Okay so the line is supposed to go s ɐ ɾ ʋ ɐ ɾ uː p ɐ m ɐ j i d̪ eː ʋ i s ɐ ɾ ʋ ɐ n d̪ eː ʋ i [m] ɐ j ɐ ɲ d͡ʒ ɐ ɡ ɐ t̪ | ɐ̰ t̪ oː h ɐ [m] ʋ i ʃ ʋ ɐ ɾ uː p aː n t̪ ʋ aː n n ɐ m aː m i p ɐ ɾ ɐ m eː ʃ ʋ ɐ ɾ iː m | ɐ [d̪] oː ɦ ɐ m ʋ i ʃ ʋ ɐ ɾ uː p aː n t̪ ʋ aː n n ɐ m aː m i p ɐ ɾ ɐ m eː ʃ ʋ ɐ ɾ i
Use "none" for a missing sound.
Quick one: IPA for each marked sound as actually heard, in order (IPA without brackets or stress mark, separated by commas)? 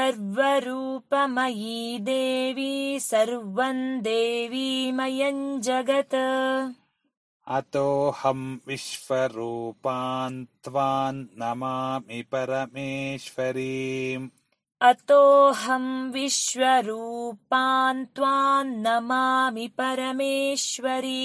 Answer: m, m, t̪